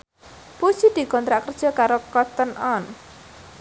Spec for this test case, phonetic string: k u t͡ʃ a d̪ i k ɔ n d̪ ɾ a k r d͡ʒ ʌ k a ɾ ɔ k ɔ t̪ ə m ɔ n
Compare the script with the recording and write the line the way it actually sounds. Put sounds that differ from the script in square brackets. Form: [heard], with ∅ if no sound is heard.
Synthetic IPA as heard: [p] u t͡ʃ [i] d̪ i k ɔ n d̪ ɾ a k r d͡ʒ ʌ k a ɾ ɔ k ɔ t̪ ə [n] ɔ n